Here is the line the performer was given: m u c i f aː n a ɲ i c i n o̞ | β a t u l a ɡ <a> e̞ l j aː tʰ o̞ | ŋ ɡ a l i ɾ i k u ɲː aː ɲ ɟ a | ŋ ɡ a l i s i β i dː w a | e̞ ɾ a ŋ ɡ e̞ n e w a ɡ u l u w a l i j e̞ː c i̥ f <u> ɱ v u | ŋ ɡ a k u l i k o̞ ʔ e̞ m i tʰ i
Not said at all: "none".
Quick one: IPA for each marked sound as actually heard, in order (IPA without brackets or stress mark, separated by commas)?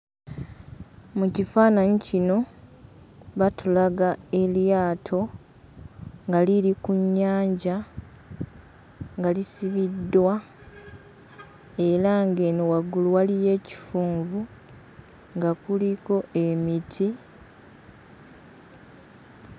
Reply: a, uː